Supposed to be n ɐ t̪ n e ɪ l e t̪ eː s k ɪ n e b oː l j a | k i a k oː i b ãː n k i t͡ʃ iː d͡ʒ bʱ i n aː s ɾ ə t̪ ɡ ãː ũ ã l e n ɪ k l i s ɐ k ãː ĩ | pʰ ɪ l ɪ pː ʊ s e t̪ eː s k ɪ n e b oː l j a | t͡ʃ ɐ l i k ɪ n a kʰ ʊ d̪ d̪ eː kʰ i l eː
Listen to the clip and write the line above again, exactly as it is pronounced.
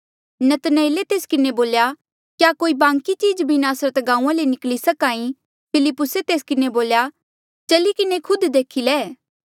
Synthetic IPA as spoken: n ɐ t̪ n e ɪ l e t̪ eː s k ɪ n e b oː l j a | k j a k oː i b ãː ŋ k i t͡ʃ iː d͡ʒ bʱ i n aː s ɾ ə t̪ ɡ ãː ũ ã l e n ɪ k l i s ɐ k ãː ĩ | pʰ ɪ l ɪ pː ʊ s e t̪ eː s k ɪ n e b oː l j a | t͡ʃ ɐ l i k ɪ n e kʰ ʊ d̪ d̪ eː kʰ i l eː

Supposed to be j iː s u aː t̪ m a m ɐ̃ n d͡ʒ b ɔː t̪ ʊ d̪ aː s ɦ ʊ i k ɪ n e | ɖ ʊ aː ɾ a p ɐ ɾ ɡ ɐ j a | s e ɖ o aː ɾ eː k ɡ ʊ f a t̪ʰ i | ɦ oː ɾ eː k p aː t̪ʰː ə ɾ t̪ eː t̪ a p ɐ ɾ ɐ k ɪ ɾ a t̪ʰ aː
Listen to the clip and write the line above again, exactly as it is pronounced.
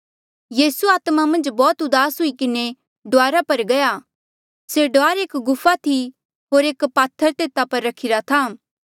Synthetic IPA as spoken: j iː s u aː t̪ m a m ɐ̃ n d͡ʒ b ɔː t̪ ʊ d̪ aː s ɦ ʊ i k ɪ n e | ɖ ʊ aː ɾ a p ɐ ɾ ɡ ɐ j a | s e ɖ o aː ɾ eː k ɡ ʊ f a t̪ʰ i | ɦ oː ɾ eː k p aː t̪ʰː ə ɾ t̪ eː t̪ a p ɐ ɾː ɐ kʰ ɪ ɾ a t̪ʰ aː

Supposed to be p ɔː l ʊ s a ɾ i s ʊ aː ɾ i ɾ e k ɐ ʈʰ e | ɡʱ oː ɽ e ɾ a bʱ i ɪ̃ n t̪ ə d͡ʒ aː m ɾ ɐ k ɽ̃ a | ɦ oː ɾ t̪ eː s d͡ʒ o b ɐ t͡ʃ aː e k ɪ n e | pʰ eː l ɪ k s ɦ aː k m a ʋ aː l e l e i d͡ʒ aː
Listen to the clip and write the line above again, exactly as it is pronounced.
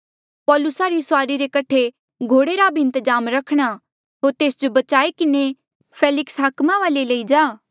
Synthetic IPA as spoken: p ɔː l ʊ s a ɾ i s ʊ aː ɾ i ɾ e k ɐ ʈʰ e | ɡʱ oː ɽ e ɾ a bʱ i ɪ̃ n t̪ ə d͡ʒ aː m ɾ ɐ kʰ ɽ̃ a | ɦ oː ɾ t̪ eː s d͡ʒ o b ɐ t͡ʃ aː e k ɪ n e | pʰ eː l ɪ k s ɦ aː k m a ʋ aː l e l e i d͡ʒ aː

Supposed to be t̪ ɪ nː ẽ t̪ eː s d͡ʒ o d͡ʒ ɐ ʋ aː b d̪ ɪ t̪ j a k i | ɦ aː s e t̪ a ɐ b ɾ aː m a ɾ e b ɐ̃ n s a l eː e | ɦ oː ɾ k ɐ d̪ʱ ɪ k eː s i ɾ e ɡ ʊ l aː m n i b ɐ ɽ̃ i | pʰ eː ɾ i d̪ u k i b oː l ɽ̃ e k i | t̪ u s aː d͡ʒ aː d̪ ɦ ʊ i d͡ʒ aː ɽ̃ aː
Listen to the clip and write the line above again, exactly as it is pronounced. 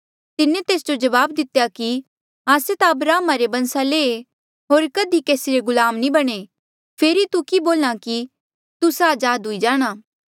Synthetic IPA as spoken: t̪ ɪ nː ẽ t̪ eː s d͡ʒ o d͡ʒ ɐ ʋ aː b d̪ ɪ t̪ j a k i | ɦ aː s e t̪ a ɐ b ɾ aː m a ɾ e b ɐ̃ n s a l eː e | ɦ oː ɾ k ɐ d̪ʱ i k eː s i ɾ e ɡ ʊ l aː m n i b ɐ ɽ̃ e | pʰ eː ɾ i t̪ u k i b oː l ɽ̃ a k i | t̪ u s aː d͡ʒ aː d̪ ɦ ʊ i d͡ʒ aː ɽ̃ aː

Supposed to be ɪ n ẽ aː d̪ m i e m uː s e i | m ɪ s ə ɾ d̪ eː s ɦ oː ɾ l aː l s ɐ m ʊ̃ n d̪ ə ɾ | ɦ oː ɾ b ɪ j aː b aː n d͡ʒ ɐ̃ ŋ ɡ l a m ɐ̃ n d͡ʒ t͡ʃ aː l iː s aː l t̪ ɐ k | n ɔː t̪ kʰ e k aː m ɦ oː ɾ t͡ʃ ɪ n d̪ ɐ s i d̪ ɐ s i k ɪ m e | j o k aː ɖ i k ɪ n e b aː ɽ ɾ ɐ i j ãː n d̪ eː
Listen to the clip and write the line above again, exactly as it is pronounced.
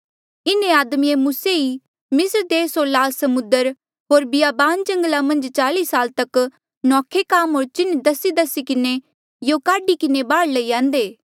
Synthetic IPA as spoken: ɪ n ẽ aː d̪ m i e m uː s e i | m ɪ s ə ɾ d̪ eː s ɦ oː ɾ l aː l s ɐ m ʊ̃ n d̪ ə ɾ | ɦ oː ɾ b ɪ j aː b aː n d͡ʒ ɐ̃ ŋ ɡ l a m ɐ̃ n d͡ʒ t͡ʃ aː l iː s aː l t̪ ɐ k | n ɔː kʰ e k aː m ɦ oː ɾ t͡ʃ ɪ n d̪ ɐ s i d̪ ɐ s i k ɪ n e | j o k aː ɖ i k ɪ n e b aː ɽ l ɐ i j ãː n d̪ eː

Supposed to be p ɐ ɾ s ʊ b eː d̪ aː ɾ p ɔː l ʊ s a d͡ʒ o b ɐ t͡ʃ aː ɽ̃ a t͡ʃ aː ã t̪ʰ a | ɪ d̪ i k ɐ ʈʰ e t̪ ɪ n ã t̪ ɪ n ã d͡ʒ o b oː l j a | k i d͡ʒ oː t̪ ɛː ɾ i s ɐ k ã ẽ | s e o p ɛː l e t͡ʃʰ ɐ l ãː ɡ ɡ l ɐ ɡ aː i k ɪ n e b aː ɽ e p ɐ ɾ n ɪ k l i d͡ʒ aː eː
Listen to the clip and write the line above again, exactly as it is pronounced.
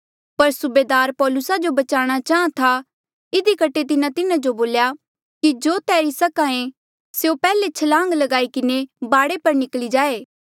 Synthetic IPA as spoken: p ɐ ɾ s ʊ b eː d̪ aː ɾ p ɔː l ʊ s a d͡ʒ o b ɐ t͡ʃ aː ɽ̃ a t͡ʃ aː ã t̪ʰ a | ɪ d̪ i k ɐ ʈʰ e t̪ ɪ n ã t̪ ɪ n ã d͡ʒ o b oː l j a | k i d͡ʒ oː t̪ ɛː ɾ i s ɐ k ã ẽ | s e o p ɛː l e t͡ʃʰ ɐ l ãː ŋ ɡ l ɐ ɡ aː i k ɪ n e b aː ɽ e p ɐ ɾ n ɪ k l i d͡ʒ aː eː

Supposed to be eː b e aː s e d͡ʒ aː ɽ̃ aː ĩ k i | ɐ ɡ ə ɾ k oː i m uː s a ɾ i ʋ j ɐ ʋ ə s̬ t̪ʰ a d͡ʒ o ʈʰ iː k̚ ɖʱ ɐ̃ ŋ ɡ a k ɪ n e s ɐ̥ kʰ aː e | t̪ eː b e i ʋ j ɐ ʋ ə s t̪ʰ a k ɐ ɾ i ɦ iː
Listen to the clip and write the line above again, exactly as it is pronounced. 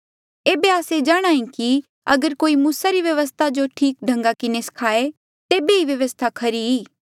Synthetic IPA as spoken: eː b e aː s e d͡ʒ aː ɽ̃ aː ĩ k i | ɐ ɡ ə ɾ k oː i m uː s a ɾ i ʋ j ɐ ʋ ə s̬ t̪ʰ a d͡ʒ o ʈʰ iː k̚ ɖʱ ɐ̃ ŋ ɡ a k ɪ n e s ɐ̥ kʰ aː e | t̪ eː b e i ʋ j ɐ ʋ ə s t̪ʰ a kʰ ɐ ɾ i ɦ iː

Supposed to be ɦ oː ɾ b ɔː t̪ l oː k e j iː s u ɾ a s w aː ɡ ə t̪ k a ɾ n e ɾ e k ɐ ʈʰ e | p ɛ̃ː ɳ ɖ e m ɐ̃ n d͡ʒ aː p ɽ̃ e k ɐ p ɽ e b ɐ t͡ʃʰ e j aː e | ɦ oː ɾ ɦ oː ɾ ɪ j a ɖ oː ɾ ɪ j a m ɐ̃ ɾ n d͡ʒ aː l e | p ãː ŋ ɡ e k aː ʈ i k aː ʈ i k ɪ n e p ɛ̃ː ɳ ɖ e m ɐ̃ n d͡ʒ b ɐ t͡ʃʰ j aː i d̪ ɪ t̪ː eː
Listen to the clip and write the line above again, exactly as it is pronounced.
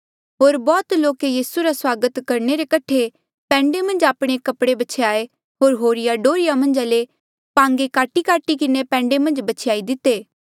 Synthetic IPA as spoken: ɦ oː ɾ b ɔː t̪ l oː k e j iː s u ɾ a s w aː ɡ ə t̪ k ɐ ɾ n e ɾ e k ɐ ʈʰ e | p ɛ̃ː ɳ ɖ e m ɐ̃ n d͡ʒ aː p ɽ̃ e k ɐ p ɽ e b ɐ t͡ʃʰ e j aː e | ɦ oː ɾ ɦ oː ɾ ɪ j a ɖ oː ɾ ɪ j a m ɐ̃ n d͡ʒ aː l e | p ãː ŋ ɡ e k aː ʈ i k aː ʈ i k ɪ n e p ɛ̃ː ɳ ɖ e m ɐ̃ n d͡ʒ b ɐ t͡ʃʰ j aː i d̪ ɪ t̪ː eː

